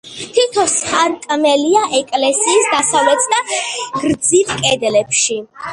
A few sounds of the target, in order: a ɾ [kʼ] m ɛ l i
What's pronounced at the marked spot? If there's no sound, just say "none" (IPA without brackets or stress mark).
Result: kʼ